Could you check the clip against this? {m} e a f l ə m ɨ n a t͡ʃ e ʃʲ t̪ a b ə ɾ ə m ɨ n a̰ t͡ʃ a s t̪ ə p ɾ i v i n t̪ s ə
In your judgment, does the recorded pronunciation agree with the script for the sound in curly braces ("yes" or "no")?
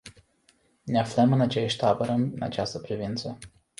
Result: no